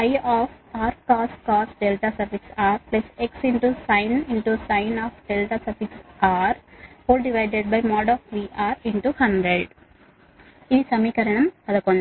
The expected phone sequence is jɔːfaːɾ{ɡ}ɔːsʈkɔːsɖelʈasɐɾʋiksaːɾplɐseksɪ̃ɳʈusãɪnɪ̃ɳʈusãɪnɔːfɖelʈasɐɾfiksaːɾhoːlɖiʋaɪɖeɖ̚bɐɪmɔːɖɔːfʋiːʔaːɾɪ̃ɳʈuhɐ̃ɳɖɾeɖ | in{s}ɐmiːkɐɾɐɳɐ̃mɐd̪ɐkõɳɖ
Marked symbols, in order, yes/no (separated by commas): no, yes